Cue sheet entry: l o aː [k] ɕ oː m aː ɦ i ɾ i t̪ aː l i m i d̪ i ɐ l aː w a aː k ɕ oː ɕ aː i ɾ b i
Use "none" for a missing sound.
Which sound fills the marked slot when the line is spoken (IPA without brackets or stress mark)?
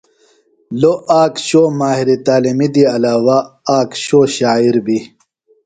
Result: k